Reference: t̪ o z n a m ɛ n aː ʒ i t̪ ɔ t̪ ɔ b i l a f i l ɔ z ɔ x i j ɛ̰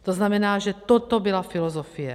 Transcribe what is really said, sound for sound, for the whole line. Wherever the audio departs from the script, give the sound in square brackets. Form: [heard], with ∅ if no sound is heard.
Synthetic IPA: t̪ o z n a m ɛ n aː ʒ [ɛ] t̪ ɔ t̪ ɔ b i l a f i l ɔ z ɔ [f] i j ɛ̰